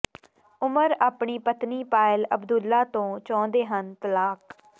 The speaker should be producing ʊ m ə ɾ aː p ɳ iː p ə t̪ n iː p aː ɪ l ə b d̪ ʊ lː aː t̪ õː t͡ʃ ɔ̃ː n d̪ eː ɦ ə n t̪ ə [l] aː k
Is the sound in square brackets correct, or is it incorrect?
correct